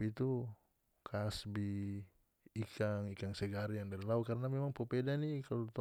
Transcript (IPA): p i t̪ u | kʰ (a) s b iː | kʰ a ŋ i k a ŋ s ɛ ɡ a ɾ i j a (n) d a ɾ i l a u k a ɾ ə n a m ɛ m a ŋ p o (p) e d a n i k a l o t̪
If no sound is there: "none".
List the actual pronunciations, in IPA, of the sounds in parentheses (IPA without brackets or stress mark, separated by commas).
a, ŋ, p